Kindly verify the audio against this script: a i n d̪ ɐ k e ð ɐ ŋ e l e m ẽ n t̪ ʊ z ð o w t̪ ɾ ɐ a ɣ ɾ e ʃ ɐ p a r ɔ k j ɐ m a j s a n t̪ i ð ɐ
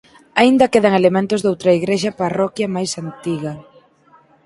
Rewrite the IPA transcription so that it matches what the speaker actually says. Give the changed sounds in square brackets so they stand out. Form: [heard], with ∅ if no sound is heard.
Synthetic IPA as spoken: a i n d̪ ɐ k e ð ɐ ŋ e l e m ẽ n t̪ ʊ z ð o w t̪ ɾ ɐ [i] ɣ ɾ e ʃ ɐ p a r ɔ k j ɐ m a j s a n t̪ i [ɣ] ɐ